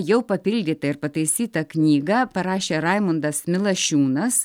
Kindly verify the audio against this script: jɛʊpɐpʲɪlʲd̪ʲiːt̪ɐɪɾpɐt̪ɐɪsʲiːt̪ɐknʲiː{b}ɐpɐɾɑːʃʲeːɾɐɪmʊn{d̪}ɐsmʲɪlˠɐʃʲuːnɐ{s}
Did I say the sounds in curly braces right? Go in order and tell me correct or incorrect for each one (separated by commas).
incorrect, correct, correct